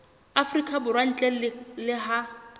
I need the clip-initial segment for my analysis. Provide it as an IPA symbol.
a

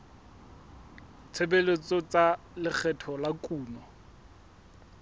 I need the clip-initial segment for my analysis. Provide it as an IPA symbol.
t͡sʰ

